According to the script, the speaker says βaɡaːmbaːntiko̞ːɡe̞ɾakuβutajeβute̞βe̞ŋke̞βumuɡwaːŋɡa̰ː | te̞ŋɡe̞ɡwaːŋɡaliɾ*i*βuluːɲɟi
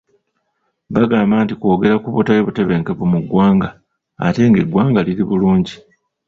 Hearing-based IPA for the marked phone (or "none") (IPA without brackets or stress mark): i